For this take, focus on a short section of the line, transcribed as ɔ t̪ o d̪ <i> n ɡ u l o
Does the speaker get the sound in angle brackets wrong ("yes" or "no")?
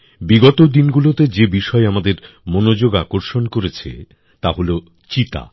no